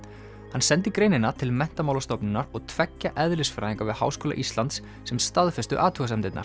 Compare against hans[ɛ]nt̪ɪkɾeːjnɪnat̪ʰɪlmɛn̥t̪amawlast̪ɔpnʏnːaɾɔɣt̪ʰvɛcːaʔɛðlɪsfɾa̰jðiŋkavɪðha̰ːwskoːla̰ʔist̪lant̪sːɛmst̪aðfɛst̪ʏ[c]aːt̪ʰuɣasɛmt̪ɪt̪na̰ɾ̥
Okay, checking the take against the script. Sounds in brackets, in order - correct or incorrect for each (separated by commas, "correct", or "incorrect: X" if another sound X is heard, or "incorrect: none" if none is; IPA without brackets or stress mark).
correct, incorrect: ʔ